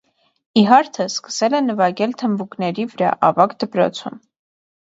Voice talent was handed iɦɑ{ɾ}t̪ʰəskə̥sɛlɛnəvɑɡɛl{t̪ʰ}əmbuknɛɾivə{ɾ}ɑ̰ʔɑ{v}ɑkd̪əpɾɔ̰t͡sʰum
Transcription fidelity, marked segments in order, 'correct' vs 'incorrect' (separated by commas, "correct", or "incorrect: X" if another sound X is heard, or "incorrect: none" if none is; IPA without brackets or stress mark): correct, correct, correct, correct